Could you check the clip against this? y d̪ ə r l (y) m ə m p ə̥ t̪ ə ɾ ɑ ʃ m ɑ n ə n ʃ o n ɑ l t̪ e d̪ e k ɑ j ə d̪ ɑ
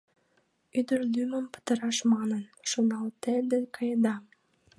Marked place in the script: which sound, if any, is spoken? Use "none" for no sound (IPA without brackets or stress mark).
y